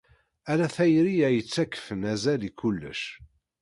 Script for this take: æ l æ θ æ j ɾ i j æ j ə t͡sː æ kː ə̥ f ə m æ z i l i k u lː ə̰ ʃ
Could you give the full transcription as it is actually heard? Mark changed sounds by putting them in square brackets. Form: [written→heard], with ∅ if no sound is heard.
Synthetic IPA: æ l æ θ æ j ɾ i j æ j ə t͡sː æ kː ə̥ f ə [m→n] æ z [i→æ] l i k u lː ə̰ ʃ